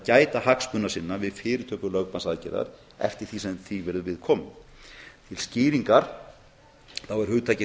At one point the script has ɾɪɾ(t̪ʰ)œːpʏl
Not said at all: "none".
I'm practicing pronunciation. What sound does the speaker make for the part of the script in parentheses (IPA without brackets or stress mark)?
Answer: t̪ʰ